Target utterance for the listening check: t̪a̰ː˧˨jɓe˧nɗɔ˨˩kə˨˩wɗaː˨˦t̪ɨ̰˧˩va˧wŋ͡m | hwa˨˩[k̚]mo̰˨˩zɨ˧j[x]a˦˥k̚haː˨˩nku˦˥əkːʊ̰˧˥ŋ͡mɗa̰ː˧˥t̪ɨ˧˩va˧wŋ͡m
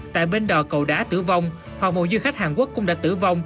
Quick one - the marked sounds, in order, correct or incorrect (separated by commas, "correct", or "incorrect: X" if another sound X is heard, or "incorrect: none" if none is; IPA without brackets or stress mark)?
correct, correct